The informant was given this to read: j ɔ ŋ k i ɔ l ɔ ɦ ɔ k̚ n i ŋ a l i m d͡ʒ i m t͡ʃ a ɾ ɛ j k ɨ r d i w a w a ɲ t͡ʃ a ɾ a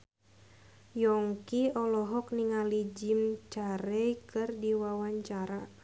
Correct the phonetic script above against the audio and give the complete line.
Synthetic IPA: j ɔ ŋ k i ɔ l ɔ ɦ ɔ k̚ n i ŋ a l i d͡ʒ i m t͡ʃ a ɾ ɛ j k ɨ r d i w a w a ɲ t͡ʃ a ɾ a